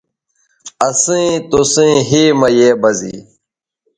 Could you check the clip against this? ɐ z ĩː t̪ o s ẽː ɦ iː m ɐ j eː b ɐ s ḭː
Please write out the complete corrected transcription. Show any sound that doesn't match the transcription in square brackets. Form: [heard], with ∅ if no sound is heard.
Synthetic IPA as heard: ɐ [s] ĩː t̪ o s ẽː ɦ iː m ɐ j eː b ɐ [z] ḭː